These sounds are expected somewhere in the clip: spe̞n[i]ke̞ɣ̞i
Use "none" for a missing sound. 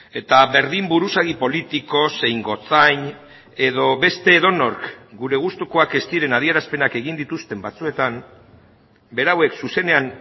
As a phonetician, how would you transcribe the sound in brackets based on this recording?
a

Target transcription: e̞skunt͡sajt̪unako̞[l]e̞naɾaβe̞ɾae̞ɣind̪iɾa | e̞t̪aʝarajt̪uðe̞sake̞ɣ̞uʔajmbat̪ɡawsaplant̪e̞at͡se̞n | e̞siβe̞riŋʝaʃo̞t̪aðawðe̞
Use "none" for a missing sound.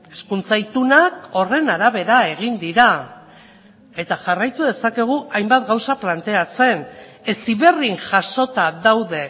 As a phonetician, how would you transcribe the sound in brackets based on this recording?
r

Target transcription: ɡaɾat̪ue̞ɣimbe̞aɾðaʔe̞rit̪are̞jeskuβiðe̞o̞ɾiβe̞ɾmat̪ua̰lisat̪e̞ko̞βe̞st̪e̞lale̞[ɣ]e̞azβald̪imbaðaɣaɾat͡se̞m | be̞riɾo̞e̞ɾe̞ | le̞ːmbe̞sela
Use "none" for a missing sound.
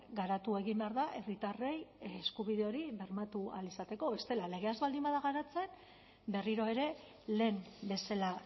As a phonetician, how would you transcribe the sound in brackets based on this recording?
ɣ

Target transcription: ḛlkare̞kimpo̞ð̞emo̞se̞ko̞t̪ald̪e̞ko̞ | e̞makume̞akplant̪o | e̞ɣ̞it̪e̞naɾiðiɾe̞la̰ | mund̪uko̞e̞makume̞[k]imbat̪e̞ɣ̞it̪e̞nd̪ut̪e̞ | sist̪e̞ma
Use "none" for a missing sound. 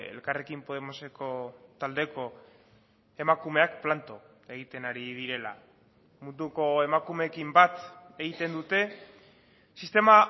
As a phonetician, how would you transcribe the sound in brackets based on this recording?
k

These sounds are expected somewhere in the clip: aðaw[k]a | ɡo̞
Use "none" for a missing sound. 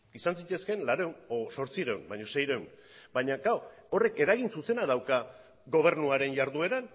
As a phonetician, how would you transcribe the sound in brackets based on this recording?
k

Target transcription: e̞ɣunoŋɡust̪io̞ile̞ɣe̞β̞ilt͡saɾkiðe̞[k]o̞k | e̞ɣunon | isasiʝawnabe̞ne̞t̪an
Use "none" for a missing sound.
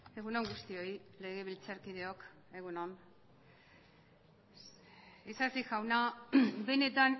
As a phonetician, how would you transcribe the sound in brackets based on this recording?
none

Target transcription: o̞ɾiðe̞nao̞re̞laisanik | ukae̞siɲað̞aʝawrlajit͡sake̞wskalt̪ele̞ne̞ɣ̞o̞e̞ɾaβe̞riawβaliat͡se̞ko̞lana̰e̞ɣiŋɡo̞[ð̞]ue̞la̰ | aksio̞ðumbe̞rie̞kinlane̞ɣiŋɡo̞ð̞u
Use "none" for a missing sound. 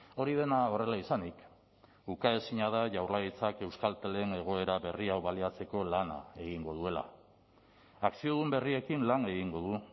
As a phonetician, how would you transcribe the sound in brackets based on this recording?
ð̞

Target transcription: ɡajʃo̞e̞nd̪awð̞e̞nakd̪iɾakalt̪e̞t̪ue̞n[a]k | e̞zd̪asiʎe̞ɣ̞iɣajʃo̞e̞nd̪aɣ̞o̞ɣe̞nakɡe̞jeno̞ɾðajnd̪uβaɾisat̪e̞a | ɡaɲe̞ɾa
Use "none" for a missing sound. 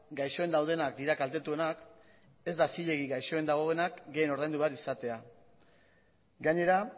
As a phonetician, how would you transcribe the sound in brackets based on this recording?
a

